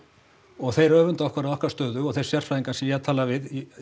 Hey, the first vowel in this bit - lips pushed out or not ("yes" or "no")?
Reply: yes